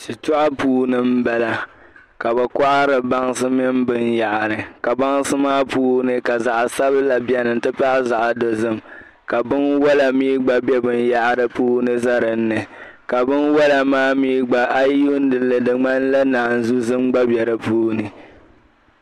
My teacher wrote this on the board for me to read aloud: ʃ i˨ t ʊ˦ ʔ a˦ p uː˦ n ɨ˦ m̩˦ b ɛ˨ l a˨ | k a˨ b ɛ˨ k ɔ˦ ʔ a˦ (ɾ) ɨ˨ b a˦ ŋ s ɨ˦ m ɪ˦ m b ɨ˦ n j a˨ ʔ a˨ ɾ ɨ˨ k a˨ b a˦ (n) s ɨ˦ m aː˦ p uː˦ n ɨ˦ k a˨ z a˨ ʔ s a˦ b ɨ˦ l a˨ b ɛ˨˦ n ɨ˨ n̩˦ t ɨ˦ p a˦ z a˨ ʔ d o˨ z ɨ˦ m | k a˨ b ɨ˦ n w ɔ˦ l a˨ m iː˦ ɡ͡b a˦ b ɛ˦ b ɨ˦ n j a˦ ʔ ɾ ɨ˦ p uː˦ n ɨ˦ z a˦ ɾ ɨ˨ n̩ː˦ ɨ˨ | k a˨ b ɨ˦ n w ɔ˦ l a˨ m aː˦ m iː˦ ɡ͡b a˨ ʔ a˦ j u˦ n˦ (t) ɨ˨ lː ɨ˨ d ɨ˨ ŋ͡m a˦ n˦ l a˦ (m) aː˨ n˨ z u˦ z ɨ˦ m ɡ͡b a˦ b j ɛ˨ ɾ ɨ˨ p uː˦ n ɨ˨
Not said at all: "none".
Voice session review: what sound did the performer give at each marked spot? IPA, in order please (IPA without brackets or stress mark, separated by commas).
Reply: ɾ, ŋ, d, n